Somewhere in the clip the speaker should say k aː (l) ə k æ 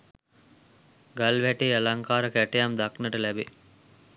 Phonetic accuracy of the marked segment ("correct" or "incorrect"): incorrect